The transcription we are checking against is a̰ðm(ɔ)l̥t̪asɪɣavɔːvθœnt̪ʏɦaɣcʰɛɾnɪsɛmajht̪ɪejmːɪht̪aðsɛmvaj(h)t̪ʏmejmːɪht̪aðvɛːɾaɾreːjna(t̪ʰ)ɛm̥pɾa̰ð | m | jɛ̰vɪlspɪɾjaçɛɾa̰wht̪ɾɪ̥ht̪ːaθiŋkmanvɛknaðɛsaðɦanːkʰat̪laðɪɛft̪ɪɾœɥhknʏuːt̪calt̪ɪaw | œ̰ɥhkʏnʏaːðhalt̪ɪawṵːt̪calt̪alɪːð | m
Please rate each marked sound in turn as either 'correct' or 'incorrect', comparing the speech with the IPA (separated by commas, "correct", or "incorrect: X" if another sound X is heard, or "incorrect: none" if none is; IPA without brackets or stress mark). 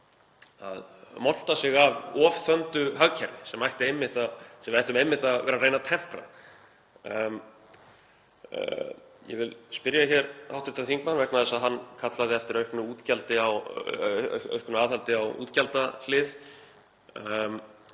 correct, correct, correct